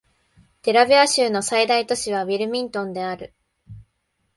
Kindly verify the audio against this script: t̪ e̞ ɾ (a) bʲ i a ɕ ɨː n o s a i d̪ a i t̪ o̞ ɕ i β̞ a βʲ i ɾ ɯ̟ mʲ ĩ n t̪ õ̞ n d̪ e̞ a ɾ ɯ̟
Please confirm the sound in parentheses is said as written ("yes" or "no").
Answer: yes